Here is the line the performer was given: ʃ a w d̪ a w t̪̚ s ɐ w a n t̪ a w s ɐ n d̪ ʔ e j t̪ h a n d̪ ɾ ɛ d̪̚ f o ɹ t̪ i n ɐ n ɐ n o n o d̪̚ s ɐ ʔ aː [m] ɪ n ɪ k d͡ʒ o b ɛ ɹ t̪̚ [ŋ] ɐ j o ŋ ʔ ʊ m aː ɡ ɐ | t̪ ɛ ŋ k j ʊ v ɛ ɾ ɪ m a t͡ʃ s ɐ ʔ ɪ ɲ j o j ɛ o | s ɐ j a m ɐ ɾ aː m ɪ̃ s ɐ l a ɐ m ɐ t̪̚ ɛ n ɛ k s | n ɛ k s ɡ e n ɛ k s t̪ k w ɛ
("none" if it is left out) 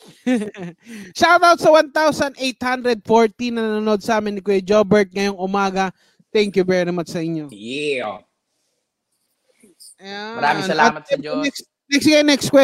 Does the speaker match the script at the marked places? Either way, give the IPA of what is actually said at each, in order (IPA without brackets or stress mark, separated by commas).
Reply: m, ŋ